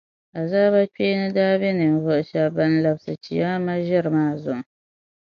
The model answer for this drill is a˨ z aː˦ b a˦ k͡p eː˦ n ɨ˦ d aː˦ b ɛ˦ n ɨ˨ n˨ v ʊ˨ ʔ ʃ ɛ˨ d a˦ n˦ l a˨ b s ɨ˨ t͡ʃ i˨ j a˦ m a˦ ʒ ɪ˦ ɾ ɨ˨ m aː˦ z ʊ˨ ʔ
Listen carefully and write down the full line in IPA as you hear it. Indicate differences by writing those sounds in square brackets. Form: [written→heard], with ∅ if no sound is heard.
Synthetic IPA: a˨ z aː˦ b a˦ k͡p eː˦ n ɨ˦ d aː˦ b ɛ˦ n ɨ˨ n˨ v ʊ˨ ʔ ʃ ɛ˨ [d→b] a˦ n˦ l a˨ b s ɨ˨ t͡ʃ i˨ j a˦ m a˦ ʒ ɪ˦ ɾ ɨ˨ m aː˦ z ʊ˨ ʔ

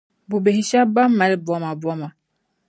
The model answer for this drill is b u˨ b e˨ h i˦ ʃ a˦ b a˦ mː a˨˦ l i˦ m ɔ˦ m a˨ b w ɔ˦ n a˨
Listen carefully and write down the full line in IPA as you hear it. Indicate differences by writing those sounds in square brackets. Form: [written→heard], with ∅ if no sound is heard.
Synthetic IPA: b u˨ b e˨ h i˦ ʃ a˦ b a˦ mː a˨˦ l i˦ [m→b] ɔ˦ m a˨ b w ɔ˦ [n→m] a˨

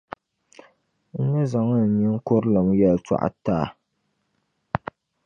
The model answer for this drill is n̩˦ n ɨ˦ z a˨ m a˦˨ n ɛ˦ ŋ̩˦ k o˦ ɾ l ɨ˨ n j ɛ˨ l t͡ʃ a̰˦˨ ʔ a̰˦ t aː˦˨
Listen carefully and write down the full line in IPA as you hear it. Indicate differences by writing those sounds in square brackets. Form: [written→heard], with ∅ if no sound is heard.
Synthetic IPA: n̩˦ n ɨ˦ z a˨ [m→ŋ] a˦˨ [n→ɲ] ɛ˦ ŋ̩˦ k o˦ ɾ l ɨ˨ [n→m] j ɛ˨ l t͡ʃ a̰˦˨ ʔ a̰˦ t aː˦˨

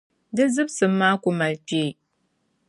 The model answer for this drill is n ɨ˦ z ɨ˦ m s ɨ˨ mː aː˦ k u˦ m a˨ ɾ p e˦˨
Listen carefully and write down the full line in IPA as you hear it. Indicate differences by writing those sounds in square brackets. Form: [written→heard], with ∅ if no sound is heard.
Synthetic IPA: [n→d] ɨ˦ z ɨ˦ [m→b] s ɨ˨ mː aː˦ k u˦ m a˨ [ɾ→l] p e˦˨

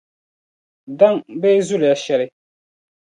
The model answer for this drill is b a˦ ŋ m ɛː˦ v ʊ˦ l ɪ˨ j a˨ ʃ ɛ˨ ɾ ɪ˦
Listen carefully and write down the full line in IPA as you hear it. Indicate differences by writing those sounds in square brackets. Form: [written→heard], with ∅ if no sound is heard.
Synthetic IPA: [b→d] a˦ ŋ [m→b] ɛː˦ [v→z] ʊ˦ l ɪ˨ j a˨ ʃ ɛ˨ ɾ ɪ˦

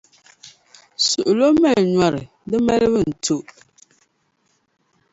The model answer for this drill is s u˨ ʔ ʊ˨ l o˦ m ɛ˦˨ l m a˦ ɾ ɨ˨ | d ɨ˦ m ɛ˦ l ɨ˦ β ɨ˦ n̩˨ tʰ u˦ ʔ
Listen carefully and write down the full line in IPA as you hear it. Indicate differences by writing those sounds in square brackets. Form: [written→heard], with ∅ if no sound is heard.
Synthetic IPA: s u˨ ʔ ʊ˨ l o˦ m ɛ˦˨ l [m→ɲ] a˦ ɾ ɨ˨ | d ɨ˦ m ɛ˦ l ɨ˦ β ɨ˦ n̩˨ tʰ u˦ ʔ

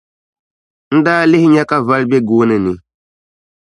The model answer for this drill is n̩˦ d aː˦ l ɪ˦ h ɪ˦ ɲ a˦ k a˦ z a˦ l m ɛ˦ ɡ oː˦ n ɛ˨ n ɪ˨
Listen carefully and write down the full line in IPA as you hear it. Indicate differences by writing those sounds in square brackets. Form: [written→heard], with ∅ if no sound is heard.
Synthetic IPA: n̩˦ d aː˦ l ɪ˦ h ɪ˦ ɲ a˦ k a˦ [z→v] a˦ l [m→b] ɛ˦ ɡ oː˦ n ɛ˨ n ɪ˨

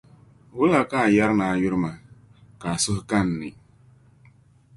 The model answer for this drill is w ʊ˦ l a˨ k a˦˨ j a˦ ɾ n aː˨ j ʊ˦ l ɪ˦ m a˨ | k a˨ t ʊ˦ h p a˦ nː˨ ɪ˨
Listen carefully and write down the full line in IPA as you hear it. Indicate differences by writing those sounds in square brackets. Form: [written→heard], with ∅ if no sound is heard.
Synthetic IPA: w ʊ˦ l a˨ k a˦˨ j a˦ ɾ n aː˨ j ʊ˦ [l→ɾ] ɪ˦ m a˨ | k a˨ [t→s] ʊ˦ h [p→k] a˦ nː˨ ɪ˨

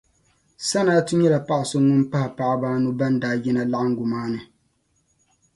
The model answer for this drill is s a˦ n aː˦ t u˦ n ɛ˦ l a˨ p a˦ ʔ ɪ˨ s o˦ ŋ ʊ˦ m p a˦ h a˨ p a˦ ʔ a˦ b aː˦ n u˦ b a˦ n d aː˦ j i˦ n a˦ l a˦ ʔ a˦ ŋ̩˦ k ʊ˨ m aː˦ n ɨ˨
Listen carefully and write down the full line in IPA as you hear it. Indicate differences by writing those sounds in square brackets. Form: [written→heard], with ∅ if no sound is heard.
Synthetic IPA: s a˦ n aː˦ t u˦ [n→ɲ] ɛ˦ l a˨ p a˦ ʔ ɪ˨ s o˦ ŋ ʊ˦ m p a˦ h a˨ p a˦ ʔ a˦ b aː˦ n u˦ b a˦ n d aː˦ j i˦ n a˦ l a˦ ʔ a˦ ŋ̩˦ [k→ɡ] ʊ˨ m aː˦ n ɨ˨

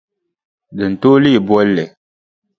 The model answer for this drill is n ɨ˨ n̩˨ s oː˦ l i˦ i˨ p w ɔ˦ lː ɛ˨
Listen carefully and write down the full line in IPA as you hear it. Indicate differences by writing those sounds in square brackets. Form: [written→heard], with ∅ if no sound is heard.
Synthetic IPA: [n→d] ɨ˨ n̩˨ [s→t] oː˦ l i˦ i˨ [p→b] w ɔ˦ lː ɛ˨

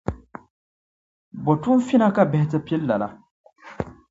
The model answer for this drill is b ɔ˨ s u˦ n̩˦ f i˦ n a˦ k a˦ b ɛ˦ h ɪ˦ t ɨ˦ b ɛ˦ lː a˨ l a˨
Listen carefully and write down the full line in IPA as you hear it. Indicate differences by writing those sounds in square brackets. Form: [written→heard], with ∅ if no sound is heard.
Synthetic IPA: b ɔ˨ [s→t] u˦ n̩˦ f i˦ n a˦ k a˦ b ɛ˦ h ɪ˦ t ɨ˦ [b→p] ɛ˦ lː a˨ l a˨

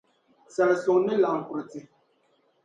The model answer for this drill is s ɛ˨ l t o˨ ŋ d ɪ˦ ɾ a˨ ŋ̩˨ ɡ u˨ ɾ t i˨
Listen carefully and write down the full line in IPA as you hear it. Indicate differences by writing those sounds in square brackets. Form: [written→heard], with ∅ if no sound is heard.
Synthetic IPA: s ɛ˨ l [t→s] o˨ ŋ [d→n] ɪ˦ [ɾ→l] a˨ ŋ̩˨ [ɡ→k] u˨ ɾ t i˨

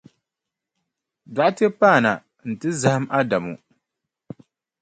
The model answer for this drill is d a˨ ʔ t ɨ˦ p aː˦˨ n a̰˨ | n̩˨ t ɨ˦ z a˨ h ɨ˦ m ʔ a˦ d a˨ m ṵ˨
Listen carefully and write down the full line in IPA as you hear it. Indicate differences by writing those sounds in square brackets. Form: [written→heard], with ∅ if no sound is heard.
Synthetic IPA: d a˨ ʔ t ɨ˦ p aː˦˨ n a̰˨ | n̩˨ t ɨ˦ z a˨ h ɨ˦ m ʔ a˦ d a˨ m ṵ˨

